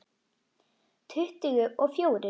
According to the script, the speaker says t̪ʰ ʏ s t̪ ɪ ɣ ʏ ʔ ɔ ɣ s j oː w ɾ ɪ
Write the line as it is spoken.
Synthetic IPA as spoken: t̪ʰ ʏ h t̪ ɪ ɣ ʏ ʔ ɔ ɣ f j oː w ɾ ɪ